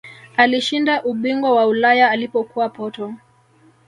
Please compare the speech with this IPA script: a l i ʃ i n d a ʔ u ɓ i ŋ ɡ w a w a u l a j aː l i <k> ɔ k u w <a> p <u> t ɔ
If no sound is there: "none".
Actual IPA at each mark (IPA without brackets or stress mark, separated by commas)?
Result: p, a, ɔ